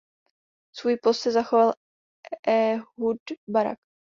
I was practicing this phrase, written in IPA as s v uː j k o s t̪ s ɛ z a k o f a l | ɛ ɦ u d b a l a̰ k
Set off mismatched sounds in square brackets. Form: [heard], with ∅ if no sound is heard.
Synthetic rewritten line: s v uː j [p] o s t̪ s ɛ z a [x] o [v] a l | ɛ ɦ u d b a [ɾ] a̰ k